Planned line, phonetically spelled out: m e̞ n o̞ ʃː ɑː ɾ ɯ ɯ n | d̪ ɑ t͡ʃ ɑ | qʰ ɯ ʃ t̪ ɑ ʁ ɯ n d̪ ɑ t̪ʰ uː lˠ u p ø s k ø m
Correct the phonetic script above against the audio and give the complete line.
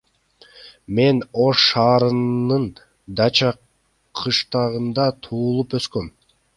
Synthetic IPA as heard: m e̞ n o̞ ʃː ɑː ɾ ɯ ɯ n | d̪ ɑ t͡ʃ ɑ | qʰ ɯ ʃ t̪ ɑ ʁ ɯ n d̪ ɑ t̪ʰ uː lˠ u p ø s k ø m